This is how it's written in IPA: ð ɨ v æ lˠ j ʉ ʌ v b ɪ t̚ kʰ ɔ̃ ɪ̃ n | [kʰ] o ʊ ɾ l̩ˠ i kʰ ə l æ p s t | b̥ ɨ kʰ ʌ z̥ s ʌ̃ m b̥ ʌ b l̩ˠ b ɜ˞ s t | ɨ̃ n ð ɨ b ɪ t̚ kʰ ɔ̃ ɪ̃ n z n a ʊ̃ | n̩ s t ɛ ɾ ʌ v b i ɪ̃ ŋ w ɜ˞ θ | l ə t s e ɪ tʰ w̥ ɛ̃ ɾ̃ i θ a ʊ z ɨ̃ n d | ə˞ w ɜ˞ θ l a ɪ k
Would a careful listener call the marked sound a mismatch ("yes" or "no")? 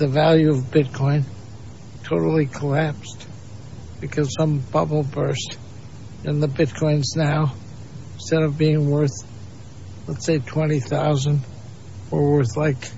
yes